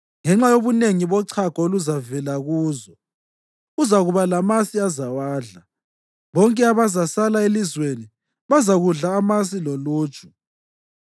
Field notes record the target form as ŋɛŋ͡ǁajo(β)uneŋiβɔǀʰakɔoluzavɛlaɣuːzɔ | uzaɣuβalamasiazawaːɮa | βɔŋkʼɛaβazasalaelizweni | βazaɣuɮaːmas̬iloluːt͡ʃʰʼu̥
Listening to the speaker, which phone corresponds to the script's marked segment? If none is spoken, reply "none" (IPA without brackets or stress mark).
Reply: β